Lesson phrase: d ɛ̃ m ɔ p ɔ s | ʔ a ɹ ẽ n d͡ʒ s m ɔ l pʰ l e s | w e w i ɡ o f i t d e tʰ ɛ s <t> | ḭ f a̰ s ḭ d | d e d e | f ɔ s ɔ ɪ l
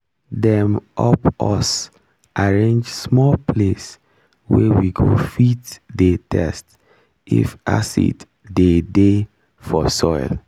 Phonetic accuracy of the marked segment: correct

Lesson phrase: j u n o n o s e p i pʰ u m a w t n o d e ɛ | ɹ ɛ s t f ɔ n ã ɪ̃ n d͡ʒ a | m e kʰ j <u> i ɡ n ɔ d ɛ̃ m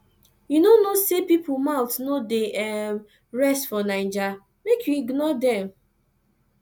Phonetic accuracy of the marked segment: correct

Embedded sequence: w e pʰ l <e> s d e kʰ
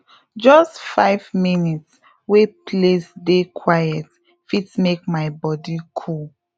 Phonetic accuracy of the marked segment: correct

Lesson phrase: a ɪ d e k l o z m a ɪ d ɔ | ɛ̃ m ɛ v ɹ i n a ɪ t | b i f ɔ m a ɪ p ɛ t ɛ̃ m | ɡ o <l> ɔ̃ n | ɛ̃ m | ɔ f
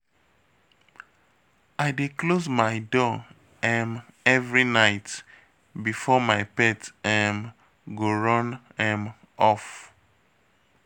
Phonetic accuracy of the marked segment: incorrect: ɹ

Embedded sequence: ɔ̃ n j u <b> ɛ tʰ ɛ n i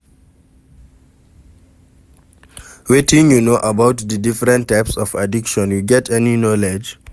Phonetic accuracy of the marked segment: incorrect: ɡ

